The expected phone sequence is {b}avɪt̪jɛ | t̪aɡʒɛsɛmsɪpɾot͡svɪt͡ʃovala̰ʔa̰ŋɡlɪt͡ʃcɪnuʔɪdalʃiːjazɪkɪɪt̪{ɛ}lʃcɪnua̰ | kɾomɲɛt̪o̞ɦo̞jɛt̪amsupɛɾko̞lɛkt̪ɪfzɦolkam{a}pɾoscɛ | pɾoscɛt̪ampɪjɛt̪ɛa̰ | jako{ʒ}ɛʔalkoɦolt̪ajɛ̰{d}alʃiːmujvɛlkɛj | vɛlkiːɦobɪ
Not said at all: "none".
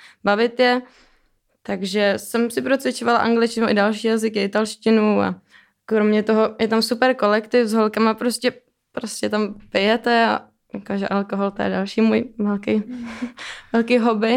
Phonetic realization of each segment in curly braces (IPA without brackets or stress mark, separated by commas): b, a, a, ʒ, d